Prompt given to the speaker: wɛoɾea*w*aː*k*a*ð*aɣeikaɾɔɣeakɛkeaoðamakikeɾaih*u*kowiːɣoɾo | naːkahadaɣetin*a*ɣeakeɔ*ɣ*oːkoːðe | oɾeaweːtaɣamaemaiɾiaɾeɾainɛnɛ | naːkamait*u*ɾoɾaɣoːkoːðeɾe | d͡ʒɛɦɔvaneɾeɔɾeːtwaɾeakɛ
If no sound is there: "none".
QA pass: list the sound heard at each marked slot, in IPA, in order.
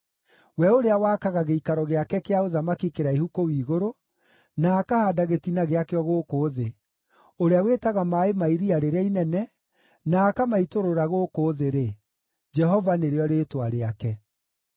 w, k, ɣ, u, a, ɣ, o

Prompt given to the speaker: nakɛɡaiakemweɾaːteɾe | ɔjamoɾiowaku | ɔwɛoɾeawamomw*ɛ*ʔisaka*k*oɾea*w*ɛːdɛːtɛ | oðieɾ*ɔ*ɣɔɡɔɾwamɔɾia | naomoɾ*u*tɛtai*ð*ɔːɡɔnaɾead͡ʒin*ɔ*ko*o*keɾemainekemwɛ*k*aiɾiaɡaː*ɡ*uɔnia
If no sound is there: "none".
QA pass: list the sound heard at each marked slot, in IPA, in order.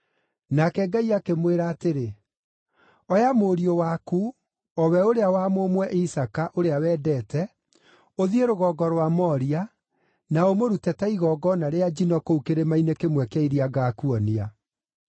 ɛ, ʔ, w, o, u, ɣ, ɔ, u, k, k

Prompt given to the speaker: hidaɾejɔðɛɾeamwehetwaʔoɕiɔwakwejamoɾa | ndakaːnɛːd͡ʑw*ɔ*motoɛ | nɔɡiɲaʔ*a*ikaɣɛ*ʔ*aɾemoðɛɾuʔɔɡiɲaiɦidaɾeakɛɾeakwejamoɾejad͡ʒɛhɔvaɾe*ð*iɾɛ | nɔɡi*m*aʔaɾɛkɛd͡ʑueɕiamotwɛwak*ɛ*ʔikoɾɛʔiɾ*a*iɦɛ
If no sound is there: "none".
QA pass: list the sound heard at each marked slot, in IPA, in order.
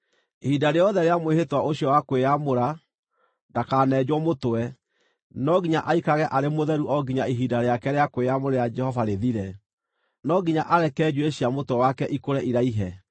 ɔ, a, ʔ, ð, ɲ, ɛ, a

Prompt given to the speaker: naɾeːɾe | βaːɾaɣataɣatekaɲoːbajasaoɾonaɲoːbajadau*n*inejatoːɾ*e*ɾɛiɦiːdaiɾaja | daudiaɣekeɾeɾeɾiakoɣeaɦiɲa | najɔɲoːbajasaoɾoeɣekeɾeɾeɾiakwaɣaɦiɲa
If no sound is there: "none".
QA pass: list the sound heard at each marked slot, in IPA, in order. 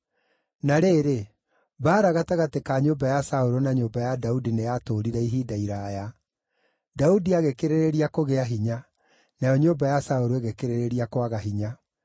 d, i

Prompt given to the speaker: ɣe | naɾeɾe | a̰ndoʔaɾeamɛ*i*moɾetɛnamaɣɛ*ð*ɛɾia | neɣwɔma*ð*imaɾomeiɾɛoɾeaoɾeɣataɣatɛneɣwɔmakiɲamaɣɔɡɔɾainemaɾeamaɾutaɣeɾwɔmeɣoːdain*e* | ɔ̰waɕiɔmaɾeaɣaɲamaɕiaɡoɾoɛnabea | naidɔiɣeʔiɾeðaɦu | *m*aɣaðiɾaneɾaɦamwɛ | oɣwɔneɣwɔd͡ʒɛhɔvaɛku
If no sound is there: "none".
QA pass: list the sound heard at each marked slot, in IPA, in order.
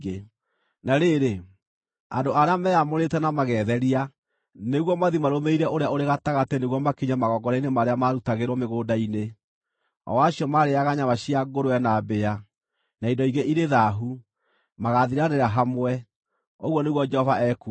a, ð, ð, e, m

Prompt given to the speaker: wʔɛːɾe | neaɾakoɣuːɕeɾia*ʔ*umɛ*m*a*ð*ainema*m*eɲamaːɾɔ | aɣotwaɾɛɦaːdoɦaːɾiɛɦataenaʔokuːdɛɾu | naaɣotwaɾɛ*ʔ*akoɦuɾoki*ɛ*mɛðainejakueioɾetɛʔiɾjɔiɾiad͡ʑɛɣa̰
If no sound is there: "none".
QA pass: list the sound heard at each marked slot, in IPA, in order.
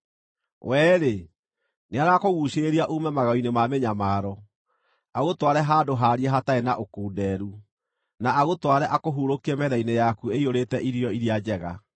ʔ, m, ɣ, m, ʔ, ɛ

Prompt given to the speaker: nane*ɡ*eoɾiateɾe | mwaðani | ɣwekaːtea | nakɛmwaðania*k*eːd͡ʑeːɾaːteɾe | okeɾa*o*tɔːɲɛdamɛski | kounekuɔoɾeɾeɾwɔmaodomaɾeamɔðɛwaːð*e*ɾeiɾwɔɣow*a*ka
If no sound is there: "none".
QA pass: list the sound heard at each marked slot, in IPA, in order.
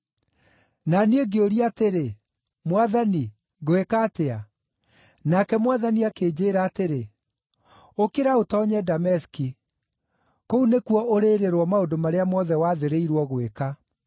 ɡ, k, o, e, e

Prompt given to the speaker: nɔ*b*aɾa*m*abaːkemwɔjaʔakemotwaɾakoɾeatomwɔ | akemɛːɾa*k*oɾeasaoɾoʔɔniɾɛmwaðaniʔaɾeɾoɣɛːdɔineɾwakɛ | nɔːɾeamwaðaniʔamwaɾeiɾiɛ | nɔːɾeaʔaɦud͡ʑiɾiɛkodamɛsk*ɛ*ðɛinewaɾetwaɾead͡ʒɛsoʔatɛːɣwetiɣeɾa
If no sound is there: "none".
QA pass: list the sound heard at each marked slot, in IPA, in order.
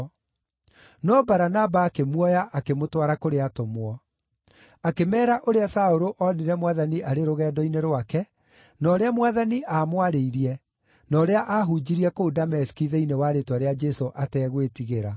b, n, ʔ, i

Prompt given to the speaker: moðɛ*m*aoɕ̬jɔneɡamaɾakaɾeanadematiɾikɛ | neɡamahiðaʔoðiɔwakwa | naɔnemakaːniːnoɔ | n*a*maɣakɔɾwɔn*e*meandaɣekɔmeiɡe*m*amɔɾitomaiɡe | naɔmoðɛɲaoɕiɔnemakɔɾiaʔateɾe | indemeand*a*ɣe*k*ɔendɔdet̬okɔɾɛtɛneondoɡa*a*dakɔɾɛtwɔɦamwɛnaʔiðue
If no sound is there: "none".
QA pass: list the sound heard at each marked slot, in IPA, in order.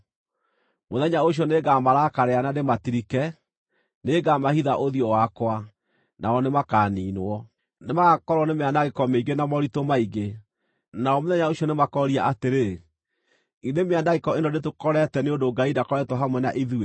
ɲ, e, e, n, a, k, i

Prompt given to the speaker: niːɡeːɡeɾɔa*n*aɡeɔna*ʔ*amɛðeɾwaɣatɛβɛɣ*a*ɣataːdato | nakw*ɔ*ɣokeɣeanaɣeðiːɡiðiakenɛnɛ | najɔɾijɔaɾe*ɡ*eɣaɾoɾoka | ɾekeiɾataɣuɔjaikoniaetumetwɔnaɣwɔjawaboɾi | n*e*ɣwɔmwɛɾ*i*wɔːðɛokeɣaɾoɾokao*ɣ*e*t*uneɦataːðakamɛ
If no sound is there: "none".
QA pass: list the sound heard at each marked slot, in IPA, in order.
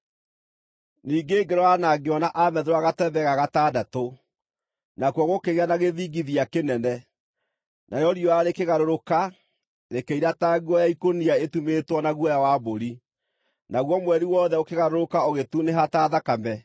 n, ʔ, a, ɔ, k, a, i, ɣ, t

